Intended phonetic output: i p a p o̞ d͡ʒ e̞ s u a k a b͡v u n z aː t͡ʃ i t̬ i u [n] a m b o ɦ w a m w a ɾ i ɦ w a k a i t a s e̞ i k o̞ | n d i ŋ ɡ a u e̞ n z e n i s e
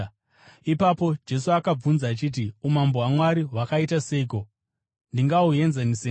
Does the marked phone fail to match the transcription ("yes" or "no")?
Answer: yes